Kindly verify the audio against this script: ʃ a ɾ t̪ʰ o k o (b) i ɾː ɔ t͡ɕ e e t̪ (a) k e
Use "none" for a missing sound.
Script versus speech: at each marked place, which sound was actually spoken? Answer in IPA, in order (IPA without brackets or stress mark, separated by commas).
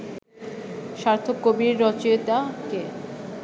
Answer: b, a